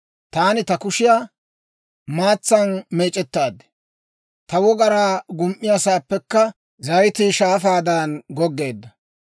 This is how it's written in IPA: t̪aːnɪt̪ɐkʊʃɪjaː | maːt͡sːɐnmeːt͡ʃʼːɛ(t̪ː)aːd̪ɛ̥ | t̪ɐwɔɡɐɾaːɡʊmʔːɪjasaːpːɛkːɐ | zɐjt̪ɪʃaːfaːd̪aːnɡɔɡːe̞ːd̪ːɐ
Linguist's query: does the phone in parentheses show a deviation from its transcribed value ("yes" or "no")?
no